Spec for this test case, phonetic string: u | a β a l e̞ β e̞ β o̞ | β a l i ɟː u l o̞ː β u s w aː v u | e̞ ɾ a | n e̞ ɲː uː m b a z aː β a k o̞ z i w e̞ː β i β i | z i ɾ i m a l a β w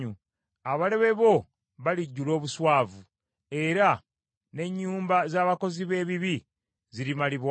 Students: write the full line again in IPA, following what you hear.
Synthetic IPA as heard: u | a β a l e̞ β e̞ β o̞ | β a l i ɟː u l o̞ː β u s w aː v u | e̞ ɾ a | n e̞ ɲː uː m b a z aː β a k o̞ z i β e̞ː β i β i | z i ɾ i m a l i β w